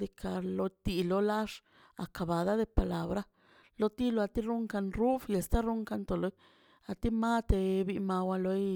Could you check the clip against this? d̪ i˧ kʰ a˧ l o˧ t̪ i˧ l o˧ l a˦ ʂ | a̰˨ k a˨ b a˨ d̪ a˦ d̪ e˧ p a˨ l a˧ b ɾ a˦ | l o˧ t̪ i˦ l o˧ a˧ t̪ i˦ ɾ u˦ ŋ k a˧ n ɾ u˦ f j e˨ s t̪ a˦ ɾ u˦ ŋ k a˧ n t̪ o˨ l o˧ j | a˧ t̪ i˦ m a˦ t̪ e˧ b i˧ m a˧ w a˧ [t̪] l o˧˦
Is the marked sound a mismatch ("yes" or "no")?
yes